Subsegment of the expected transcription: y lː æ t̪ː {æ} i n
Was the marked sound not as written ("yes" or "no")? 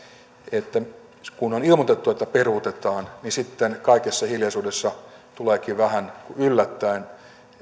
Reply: no